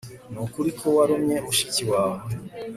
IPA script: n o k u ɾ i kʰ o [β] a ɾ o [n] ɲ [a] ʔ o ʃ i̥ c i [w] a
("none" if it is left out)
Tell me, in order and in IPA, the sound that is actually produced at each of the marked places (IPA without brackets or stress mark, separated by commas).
w, m, e, w